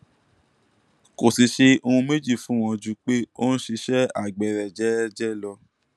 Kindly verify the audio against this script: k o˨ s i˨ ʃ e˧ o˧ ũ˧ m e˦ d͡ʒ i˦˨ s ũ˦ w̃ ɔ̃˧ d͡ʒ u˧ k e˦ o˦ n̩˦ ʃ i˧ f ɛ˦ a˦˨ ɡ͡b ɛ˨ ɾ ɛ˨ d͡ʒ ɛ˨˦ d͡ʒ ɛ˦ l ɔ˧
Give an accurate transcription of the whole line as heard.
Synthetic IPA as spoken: k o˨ s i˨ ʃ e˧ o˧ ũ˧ m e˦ d͡ʒ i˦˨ f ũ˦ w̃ ɔ̃˧ d͡ʒ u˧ k͡p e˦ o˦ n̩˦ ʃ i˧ ʃ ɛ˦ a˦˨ ɡ͡b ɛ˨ ɾ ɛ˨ d͡ʒ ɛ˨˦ d͡ʒ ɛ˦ l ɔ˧